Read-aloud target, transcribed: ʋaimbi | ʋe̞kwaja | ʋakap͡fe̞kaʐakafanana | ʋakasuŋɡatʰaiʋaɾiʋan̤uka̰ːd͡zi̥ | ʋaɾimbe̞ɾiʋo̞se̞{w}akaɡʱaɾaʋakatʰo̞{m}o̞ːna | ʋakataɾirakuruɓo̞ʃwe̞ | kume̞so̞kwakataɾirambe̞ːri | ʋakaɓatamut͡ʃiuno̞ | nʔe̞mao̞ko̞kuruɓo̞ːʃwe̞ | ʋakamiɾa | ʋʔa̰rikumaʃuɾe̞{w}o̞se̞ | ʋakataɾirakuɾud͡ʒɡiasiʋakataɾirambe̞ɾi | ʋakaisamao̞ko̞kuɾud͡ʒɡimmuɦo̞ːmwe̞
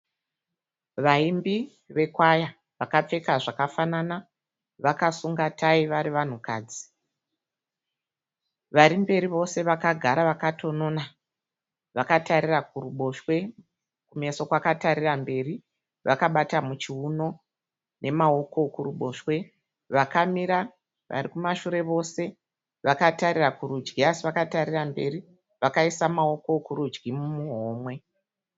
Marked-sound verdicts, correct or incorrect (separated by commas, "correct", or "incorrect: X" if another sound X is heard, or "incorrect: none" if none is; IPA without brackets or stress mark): incorrect: ʋ, incorrect: n, incorrect: ʋ